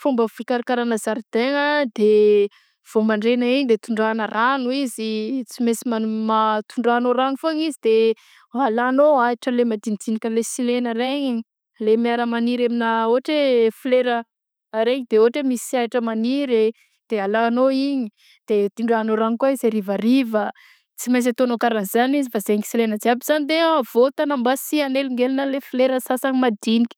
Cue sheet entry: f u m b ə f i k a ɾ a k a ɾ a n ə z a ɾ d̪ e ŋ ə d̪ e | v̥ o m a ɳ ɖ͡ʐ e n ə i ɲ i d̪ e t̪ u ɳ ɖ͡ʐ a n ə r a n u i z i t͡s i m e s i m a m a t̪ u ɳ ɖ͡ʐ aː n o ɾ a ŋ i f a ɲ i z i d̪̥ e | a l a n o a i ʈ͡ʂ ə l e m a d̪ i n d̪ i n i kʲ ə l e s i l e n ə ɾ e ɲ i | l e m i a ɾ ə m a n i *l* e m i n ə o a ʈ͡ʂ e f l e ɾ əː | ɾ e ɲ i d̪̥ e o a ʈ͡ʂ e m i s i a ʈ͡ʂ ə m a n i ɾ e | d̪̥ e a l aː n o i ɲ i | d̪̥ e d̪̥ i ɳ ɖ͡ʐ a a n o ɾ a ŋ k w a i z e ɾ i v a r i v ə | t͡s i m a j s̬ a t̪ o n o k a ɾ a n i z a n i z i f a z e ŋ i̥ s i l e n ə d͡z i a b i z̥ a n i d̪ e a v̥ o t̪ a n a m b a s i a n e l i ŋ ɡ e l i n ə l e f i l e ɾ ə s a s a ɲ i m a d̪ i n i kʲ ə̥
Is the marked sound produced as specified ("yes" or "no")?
no